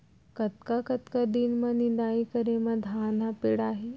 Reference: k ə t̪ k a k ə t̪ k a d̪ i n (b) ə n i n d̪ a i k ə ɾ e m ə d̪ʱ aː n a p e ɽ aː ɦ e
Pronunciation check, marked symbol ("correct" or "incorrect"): incorrect